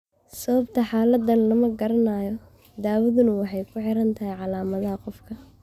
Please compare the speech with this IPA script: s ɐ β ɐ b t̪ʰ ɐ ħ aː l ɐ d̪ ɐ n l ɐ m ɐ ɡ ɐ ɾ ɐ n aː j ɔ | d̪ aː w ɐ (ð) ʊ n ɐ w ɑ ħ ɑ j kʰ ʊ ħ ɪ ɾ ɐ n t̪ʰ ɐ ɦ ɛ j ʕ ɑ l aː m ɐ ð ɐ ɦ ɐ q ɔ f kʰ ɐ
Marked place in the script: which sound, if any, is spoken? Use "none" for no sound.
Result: ð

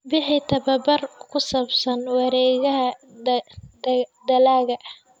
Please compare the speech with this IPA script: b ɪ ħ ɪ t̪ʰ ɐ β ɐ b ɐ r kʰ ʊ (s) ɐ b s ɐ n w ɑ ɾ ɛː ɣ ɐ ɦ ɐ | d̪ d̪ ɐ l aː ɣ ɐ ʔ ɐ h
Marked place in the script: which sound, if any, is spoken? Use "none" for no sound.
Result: s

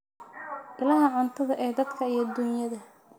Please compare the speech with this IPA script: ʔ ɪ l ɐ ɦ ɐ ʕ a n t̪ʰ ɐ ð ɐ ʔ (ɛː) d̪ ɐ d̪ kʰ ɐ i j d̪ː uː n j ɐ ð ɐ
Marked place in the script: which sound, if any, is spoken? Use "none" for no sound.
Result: ɛː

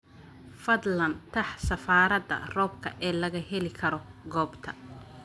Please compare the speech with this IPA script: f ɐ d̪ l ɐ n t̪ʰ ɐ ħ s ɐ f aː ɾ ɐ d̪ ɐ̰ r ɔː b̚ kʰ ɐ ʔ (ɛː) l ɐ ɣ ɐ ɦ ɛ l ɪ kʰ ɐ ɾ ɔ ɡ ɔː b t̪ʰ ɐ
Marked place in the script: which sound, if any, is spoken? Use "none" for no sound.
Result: ɛː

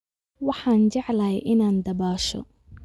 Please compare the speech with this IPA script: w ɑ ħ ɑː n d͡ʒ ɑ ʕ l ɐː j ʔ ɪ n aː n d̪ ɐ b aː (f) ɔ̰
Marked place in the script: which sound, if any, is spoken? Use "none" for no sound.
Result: ʃ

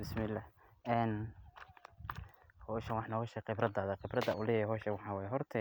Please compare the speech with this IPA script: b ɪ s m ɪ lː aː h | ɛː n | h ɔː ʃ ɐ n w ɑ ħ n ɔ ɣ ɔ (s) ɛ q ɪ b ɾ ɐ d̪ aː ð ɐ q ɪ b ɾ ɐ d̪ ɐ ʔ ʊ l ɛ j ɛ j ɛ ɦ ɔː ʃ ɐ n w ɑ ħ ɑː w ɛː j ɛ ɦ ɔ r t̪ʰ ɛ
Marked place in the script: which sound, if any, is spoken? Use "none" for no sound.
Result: ʃ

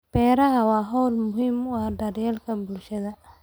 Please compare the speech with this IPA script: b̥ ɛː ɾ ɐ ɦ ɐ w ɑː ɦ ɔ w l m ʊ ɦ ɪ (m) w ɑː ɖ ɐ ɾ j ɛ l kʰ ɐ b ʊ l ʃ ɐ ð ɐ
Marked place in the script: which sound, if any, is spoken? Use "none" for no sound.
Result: m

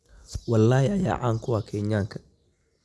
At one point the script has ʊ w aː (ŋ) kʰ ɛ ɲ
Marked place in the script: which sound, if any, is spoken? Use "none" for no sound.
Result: none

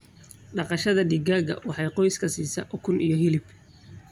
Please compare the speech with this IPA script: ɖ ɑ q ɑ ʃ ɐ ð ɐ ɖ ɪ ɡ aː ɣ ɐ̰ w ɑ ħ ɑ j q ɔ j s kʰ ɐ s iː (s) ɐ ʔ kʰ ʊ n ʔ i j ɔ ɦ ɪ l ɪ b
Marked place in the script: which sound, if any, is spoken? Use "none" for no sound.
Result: s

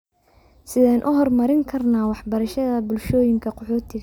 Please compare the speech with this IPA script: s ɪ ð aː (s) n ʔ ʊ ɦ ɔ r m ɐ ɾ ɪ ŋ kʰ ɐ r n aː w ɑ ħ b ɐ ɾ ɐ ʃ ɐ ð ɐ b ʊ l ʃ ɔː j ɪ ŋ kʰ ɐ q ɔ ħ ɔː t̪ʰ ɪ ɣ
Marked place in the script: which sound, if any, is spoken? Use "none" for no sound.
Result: none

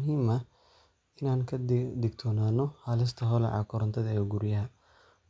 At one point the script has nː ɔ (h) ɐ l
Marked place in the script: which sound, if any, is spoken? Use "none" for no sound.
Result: h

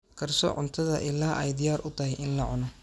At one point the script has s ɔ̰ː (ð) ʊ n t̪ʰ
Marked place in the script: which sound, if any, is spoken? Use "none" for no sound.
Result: ʕ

